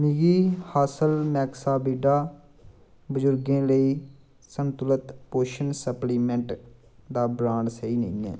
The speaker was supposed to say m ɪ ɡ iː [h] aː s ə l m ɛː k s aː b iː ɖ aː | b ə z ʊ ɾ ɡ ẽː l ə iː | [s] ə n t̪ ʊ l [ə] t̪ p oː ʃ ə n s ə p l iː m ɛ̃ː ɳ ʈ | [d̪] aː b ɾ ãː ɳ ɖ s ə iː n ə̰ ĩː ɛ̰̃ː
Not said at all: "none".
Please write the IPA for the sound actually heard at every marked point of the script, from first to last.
h, s, ə, d̪

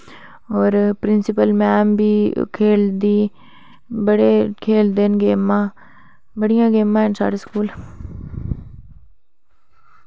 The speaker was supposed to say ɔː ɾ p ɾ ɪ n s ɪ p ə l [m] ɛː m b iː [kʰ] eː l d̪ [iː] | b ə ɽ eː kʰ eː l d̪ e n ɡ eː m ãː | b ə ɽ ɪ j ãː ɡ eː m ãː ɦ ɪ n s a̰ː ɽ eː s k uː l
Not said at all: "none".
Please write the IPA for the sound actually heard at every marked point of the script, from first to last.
m, kʰ, iː

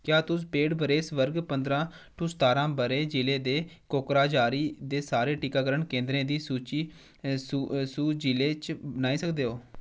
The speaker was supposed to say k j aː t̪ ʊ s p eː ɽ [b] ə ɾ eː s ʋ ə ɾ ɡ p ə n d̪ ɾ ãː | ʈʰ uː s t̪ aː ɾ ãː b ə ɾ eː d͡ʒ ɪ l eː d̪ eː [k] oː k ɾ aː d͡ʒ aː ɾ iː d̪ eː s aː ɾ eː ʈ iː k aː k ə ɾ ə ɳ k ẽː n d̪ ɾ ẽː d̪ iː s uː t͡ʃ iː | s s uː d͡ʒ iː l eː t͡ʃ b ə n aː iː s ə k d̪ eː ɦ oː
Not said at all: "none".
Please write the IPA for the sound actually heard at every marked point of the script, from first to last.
b, k

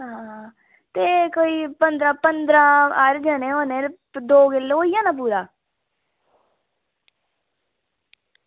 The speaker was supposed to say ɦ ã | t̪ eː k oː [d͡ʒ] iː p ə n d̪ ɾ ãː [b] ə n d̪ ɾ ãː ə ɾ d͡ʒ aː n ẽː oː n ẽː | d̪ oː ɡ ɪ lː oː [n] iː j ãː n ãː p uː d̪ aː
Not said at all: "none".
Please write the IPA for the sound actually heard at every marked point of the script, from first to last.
none, p, none

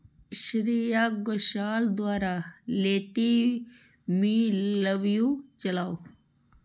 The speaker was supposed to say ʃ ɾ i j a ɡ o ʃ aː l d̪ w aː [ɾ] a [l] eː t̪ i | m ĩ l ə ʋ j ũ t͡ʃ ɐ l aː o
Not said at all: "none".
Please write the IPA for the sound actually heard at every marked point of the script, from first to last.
ɾ, l

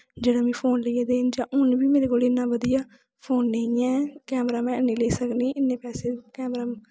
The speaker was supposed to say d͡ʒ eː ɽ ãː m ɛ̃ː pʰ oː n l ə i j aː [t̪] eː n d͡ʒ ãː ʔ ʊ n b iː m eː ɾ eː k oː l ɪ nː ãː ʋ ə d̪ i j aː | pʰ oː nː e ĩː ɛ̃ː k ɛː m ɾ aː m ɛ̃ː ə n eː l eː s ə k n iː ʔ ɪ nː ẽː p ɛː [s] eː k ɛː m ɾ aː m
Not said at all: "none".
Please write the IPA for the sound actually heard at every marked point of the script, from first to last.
d̪, s

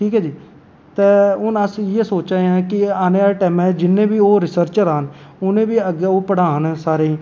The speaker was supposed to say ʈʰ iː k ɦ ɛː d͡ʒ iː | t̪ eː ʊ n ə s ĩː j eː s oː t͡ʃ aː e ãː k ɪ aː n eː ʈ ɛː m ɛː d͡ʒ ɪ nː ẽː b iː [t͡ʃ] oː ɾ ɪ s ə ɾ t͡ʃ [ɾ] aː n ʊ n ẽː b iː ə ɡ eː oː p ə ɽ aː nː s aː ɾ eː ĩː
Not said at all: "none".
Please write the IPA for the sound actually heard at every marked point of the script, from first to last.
none, ɾ

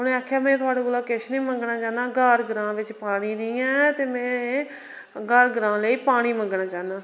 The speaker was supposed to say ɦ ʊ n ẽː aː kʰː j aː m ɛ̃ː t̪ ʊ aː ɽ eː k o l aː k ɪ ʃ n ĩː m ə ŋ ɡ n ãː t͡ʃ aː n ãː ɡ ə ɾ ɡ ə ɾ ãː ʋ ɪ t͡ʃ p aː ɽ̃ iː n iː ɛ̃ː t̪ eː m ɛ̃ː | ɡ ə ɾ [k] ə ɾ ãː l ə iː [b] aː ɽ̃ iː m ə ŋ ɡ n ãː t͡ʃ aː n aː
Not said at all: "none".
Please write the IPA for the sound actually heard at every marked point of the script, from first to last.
ɡ, p

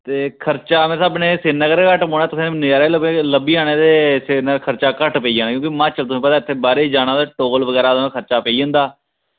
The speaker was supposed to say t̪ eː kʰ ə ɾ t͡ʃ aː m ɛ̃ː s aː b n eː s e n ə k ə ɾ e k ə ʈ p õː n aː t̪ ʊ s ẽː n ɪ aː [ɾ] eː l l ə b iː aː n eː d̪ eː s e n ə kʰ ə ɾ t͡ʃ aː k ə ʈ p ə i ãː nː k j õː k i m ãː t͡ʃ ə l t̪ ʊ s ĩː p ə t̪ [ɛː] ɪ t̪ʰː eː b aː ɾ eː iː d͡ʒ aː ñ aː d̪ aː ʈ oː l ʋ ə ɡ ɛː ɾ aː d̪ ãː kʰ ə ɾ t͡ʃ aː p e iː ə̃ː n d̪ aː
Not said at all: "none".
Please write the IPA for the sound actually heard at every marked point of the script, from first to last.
ɾ, aː

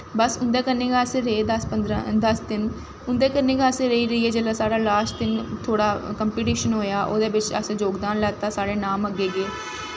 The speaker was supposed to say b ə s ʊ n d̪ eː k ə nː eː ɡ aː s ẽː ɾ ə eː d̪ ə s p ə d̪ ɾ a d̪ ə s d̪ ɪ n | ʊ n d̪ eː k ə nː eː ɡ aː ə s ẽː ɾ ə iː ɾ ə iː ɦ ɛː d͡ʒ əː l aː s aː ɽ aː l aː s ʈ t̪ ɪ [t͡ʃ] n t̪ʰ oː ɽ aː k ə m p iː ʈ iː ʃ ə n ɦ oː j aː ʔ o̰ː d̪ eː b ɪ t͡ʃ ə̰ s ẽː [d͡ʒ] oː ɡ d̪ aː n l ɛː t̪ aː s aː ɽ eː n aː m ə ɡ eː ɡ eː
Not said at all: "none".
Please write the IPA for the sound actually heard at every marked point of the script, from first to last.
none, d͡ʒ

